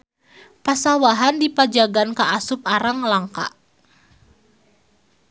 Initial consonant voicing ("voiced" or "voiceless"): voiceless